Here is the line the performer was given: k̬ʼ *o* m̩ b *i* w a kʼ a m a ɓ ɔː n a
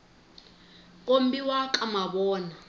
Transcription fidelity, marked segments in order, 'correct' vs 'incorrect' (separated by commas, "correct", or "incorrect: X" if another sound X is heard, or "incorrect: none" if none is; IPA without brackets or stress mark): correct, correct